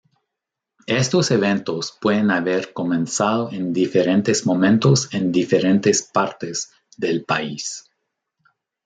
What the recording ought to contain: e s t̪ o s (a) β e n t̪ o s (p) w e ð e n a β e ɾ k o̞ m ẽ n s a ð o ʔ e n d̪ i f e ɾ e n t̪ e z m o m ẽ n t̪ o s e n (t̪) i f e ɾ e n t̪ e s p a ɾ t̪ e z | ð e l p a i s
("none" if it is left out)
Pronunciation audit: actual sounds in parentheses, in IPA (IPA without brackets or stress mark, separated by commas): e, p, d̪